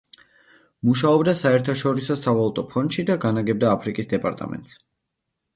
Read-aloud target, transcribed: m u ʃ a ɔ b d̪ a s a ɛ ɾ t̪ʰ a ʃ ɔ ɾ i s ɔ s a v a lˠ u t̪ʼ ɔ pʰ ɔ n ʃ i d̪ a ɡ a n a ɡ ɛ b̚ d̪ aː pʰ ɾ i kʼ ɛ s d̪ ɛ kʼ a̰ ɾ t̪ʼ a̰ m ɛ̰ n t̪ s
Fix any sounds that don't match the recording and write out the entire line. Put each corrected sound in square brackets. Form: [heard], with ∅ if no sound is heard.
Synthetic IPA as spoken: m u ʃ a ɔ b d̪ a s a ɛ ɾ t̪ʰ a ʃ ɔ ɾ i s ɔ s a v a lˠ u t̪ʼ ɔ pʰ ɔ n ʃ i d̪ a ɡ a n a ɡ ɛ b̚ d̪ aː pʰ ɾ i kʼ [i] s d̪ ɛ [pʼ] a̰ ɾ t̪ʼ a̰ m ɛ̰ n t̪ s